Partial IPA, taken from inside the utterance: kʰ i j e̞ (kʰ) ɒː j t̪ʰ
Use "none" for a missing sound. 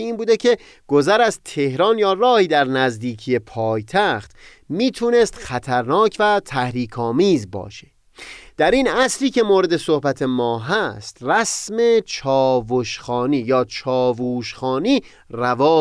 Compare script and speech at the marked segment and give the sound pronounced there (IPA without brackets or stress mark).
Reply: pʰ